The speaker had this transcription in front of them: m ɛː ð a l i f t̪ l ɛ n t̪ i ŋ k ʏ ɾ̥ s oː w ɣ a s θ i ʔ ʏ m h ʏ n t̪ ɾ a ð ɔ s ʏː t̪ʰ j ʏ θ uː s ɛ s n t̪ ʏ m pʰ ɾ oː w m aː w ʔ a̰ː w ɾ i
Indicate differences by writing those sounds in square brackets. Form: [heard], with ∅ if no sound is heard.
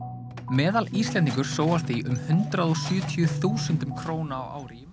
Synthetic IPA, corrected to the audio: m ɛː ð a l i [s] t̪ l ɛ n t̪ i ŋ k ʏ ɾ̥ s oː w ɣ a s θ i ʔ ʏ m h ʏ n t̪ ɾ a ð ɔ s ʏː t̪ʰ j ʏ θ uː s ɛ [∅] n t̪ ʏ m [kʰ] ɾ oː w [n] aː w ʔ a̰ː w ɾ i